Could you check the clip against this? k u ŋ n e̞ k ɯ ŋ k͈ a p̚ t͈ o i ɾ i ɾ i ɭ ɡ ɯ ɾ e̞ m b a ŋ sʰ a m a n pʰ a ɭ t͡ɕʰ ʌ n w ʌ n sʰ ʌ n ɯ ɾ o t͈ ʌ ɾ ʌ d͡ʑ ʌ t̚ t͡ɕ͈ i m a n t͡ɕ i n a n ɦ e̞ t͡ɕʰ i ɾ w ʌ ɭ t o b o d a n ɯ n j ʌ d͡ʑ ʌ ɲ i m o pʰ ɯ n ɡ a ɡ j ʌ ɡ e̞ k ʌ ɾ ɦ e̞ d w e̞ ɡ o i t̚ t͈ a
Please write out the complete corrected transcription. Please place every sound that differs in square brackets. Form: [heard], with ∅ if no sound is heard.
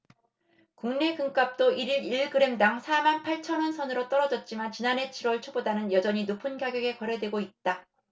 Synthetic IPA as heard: k u ŋ n e̞ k ɯ ŋ k͈ a p̚ t͈ o i ɾ i ɾ i ɭ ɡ ɯ ɾ e̞ m [d] a ŋ sʰ a m a n pʰ a ɭ t͡ɕʰ ʌ n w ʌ n sʰ ʌ n ɯ ɾ o t͈ ʌ ɾ ʌ d͡ʑ ʌ t̚ t͡ɕ͈ i m a n t͡ɕ i n a n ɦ e̞ t͡ɕʰ i ɾ w ʌ ɭ [t͡ɕʰ] o b o d a n ɯ n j ʌ d͡ʑ ʌ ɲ i [n] o pʰ ɯ n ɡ a ɡ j ʌ ɡ e̞ k ʌ ɾ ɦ e̞ d w e̞ ɡ o i t̚ t͈ a